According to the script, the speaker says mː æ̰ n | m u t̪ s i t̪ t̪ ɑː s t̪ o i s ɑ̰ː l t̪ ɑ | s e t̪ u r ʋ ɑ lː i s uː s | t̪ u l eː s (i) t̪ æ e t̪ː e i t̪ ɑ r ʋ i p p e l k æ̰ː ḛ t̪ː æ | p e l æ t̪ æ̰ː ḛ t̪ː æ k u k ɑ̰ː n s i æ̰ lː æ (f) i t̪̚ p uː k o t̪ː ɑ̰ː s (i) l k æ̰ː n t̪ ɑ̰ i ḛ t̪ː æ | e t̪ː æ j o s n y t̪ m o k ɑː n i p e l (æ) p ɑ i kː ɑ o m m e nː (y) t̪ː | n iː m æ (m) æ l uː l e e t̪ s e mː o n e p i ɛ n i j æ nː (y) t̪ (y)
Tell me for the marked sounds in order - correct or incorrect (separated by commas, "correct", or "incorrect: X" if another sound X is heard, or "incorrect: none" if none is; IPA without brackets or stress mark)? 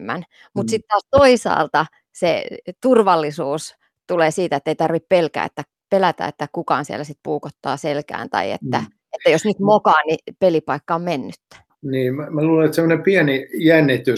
incorrect: iː, incorrect: s, incorrect: e, incorrect: i, correct, correct, incorrect: i, correct